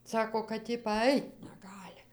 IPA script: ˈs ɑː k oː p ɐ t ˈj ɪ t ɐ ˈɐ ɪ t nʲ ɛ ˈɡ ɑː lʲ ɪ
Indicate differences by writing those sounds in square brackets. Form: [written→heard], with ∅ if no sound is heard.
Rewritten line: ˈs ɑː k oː [p→k] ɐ t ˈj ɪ [t→p] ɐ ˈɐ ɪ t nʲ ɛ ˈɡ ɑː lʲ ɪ